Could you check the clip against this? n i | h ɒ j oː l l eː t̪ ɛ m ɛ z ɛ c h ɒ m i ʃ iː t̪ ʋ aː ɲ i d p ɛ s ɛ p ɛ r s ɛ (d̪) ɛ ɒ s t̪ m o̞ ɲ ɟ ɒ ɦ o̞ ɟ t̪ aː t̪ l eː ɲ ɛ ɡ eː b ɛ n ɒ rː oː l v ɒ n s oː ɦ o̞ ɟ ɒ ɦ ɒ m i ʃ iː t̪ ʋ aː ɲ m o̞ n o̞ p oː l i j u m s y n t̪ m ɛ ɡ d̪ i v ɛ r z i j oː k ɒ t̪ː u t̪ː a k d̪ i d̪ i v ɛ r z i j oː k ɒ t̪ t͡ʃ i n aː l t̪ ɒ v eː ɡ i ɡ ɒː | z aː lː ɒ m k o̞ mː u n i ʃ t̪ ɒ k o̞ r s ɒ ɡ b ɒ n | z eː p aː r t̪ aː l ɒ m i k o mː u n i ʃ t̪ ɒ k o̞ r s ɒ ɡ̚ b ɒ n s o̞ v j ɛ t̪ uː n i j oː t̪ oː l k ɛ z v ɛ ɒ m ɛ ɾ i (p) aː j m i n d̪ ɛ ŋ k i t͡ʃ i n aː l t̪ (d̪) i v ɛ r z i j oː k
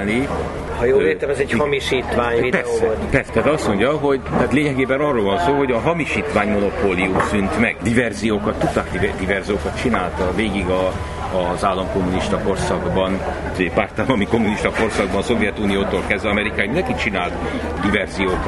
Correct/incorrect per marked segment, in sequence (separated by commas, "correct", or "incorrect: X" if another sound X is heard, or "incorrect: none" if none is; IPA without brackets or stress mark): correct, incorrect: k, correct